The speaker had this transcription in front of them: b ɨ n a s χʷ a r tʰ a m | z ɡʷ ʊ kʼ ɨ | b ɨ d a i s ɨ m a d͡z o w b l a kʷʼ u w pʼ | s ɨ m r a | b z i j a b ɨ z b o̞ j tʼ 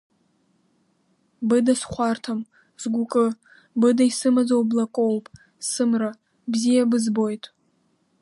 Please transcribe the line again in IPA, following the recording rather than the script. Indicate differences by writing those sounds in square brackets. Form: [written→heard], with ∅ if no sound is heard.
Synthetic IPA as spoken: b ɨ [n→d] a s χʷ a r tʰ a m | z ɡʷ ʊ kʼ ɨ | b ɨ d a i s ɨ m a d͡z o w b l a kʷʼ [u→o] w pʼ | s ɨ m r a | b z i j a b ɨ z b o̞ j tʼ